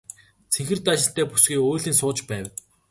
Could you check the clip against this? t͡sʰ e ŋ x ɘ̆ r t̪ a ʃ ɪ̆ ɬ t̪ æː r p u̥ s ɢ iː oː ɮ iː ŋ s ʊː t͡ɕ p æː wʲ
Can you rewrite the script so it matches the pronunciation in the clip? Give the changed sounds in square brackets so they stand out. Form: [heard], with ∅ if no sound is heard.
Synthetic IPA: t͡sʰ e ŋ x ɘ̆ r t̪ a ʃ ɪ̆ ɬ t̪ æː [∅] p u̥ s [ɡ] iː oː ɮ iː [n] s ʊː t͡ɕ p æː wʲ